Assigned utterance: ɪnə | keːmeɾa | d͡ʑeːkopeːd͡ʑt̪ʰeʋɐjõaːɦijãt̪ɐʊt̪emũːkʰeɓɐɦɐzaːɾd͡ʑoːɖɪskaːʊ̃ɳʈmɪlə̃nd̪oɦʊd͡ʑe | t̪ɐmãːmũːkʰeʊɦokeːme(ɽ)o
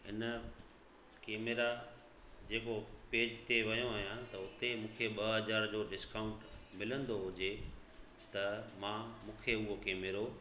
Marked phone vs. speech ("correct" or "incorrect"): incorrect